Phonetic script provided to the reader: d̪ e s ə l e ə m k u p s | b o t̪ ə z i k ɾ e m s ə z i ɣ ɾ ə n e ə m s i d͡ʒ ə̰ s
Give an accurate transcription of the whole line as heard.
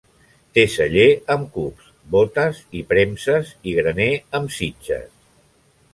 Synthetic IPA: t̪ e s ə ʎ e ə m k u p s | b o t̪ ə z i p ɾ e m s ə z i ɣ ɾ ə n e ə m s i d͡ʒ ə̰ s